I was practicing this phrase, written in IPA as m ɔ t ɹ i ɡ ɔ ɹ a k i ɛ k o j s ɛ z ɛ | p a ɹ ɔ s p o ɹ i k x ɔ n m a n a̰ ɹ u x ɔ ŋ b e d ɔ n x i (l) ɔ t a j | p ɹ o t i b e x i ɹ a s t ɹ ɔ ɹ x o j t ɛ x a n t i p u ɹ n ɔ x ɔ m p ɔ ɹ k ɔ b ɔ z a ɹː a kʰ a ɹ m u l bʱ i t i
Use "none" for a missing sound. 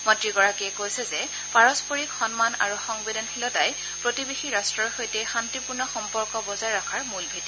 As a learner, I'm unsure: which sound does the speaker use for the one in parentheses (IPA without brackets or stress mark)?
l